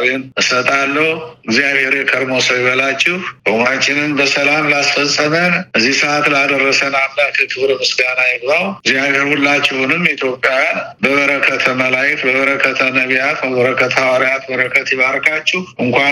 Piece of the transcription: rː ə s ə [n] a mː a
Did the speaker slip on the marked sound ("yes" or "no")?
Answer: no